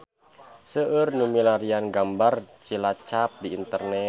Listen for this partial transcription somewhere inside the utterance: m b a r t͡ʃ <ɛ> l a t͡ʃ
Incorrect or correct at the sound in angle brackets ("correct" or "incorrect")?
incorrect